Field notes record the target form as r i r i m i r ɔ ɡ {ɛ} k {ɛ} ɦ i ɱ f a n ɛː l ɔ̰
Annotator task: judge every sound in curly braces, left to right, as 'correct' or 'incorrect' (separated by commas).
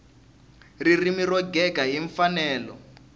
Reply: correct, incorrect